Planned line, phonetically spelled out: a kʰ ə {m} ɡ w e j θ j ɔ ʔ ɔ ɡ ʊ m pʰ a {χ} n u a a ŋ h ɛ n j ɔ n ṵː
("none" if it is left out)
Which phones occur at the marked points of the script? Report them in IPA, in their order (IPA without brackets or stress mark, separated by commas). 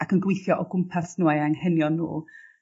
n, s